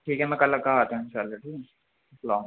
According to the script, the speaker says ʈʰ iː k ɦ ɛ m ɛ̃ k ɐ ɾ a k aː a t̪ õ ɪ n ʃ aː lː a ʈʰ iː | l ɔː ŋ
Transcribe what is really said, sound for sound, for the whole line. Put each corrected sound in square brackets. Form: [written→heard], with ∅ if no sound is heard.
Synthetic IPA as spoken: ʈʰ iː k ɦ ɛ m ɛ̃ k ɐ [ɾ→l] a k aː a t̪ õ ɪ n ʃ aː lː a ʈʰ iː | l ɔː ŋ